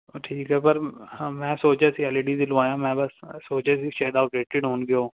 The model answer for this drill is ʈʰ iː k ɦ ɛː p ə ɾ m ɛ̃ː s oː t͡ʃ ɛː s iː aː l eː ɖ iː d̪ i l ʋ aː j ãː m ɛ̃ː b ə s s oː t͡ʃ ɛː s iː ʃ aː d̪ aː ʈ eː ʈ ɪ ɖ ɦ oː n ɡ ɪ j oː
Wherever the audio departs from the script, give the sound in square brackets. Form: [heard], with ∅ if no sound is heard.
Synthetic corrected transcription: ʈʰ iː k ɦ ɛː p ə ɾ m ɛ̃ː s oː t͡ʃ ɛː s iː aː l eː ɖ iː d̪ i l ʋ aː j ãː m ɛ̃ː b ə s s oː t͡ʃ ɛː s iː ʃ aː d̪ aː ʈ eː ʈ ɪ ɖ ɦ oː n ɡ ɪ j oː